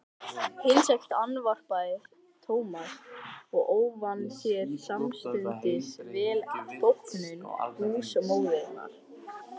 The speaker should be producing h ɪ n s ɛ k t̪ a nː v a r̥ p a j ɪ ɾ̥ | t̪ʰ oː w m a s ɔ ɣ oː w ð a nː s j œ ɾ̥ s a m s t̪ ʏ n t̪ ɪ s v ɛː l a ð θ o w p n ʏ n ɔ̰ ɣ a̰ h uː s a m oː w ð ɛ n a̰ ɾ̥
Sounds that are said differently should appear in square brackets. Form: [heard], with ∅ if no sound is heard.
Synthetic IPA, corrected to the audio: h ɪ n s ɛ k t̪ a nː v a r̥ p a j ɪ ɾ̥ | t̪ʰ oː w m a s ɔ ɣ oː w [v] a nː s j [ɛ] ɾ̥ s a m s t̪ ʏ n t̪ ɪ s v ɛː l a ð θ o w p n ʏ n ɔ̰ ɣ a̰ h uː s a m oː w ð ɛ n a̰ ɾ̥